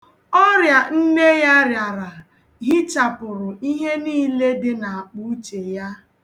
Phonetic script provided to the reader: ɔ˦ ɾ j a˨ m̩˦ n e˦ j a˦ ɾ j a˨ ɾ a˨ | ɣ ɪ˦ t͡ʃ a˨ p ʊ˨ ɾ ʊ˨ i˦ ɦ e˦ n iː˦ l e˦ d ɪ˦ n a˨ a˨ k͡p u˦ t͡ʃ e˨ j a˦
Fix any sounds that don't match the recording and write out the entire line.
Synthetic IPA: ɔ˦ ɾ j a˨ n̩˦ n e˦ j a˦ ɾ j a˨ ɾ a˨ | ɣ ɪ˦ t͡ʃ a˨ p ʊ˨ ɾ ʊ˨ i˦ ɦ e˦ n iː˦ l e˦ d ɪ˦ n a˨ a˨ k͡p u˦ t͡ʃ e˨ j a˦

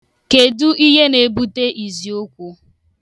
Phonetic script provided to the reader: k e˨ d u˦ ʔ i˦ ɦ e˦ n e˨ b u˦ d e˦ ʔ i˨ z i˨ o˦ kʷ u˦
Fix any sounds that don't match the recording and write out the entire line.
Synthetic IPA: k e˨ d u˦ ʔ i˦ ɦ e˦ n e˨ b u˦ t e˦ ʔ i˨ z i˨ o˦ kʷ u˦

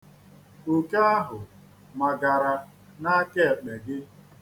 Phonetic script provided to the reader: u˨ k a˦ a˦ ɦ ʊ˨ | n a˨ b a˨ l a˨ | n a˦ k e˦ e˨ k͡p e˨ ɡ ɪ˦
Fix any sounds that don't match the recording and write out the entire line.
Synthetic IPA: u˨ k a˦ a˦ ɦ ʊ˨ | m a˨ ɡ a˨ ɾ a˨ | n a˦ k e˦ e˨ k͡p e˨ ɡ ɪ˦

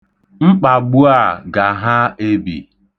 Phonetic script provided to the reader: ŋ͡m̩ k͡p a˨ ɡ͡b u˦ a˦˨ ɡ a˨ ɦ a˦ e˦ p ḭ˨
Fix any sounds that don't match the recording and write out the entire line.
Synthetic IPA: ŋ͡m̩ k͡p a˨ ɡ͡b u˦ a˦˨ ɡ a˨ ɦ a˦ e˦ b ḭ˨

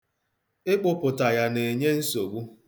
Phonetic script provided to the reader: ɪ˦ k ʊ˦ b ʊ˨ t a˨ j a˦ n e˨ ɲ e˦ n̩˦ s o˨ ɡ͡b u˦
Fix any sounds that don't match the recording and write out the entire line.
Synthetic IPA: ɪ˦ k͡p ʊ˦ p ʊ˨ t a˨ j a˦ n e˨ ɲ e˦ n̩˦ s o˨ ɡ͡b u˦

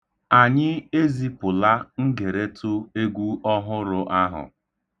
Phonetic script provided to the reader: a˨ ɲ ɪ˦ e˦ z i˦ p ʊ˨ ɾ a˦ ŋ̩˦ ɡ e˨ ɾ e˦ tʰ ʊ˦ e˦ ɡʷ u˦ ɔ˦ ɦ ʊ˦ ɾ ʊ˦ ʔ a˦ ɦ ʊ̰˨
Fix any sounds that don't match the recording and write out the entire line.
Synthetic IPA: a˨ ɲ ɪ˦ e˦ z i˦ p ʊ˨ l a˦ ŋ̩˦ ɡ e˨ ɾ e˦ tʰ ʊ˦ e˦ ɡʷ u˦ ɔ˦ ɦ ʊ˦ ɾ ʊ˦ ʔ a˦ ɦ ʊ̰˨

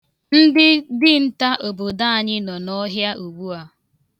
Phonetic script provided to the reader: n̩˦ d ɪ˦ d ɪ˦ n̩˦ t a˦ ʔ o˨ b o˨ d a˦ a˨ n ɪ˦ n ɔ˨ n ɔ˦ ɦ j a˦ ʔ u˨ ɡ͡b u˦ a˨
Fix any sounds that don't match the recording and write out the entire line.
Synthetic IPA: n̩˦ d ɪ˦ d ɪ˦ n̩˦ t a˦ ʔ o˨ b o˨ d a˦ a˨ ɲ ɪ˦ n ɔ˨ n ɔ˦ ɦ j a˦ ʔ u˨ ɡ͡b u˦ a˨

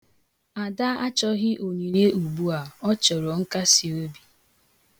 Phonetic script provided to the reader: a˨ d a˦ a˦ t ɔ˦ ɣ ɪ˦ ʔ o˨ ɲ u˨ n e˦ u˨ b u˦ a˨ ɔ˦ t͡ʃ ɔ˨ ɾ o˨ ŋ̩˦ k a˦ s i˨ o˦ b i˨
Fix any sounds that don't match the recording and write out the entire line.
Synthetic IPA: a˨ d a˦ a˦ t͡ʃ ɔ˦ ɣ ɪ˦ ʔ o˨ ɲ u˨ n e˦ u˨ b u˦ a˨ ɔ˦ t͡ʃ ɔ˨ ɾ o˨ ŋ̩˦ k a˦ s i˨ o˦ b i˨

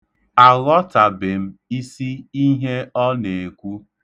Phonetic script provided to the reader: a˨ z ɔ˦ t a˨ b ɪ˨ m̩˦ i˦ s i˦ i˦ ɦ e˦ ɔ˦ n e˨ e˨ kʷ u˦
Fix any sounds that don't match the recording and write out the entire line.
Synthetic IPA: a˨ ɣ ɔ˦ t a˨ b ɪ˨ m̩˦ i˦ s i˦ i˦ ɦ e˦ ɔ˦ n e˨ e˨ kʷ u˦

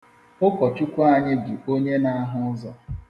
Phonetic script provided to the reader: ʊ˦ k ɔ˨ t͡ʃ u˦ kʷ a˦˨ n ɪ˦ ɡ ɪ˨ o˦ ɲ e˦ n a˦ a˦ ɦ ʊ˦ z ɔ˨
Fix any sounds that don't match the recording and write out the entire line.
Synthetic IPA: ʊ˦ k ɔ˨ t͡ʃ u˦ kʷ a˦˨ ɲ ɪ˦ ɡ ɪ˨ o˦ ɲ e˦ n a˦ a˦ ɦ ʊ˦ z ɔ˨

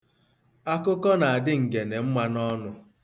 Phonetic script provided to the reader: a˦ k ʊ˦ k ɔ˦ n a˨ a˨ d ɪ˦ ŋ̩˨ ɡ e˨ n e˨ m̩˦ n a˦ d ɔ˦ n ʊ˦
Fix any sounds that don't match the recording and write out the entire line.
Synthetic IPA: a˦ k ʊ˦ k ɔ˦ n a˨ a˨ d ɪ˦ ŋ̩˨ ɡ e˨ n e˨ m̩˦ m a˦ n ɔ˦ n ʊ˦

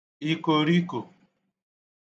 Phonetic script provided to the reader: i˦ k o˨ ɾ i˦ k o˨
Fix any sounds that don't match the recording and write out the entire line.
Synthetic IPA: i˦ k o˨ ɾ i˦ k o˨

